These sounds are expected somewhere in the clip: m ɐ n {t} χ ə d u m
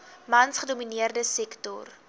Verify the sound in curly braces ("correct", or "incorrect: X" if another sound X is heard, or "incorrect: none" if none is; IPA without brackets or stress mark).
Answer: incorrect: s